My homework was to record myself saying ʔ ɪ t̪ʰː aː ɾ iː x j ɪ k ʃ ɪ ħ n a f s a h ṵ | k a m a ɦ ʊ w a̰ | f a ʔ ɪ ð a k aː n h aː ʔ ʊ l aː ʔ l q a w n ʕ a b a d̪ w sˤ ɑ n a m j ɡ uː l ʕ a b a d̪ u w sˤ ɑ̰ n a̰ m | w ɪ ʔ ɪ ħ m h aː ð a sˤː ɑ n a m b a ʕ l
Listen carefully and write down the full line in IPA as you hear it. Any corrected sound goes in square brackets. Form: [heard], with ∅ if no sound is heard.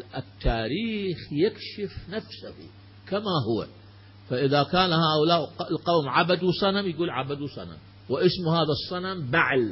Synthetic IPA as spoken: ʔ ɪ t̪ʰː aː ɾ iː x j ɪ k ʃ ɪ [f] n a f s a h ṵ | k a m a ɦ ʊ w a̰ | f a ʔ ɪ ð a k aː n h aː ʔ ʊ l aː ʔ l q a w [m] ʕ a b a d̪ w sˤ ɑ n a m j ɡ uː l ʕ a b a d̪ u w sˤ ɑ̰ n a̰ m | w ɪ ʔ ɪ [s] m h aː ð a sˤː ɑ n a m b a ʕ l